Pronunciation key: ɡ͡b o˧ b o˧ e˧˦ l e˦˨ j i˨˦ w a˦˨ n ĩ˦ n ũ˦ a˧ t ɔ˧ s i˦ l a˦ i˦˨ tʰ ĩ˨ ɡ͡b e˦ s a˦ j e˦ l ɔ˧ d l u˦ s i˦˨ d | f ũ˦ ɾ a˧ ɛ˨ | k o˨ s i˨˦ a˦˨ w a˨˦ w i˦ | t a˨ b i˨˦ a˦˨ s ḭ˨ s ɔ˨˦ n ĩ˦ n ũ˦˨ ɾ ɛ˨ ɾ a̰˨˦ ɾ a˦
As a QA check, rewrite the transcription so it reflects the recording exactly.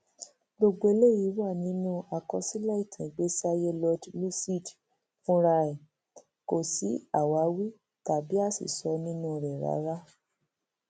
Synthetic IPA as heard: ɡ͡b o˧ ɡ͡b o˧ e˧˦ l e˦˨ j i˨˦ w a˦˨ n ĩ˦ n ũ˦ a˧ k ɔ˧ s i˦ l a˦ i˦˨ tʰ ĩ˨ ɡ͡b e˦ s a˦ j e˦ l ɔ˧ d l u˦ s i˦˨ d | f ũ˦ ɾ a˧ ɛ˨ | k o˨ s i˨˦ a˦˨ w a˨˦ w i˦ | t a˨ b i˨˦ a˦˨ s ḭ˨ s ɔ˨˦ n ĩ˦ n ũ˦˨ ɾ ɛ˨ ɾ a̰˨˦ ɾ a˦